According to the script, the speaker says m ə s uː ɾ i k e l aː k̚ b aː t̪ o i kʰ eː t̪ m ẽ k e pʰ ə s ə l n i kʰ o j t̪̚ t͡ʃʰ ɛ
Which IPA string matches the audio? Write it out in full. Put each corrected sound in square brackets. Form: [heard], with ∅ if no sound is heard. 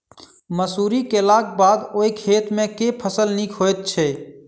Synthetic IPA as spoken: m ə s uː ɾ i k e l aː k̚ b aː [d̪] o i kʰ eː t̪ m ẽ k e pʰ ə s ə l n i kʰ o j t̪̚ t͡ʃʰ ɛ